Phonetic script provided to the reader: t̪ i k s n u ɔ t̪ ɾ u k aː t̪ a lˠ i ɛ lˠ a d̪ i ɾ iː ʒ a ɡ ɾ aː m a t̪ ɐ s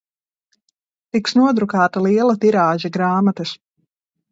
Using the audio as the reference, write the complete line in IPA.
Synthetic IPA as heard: t̪ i k s n u ɔ d̪ ɾ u k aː t̪ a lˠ i ɛ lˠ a t̪ i ɾ aː ʒ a ɡ ɾ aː m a t̪ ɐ s